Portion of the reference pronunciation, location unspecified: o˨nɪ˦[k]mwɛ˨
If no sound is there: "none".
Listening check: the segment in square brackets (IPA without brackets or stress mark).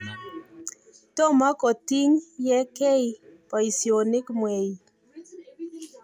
k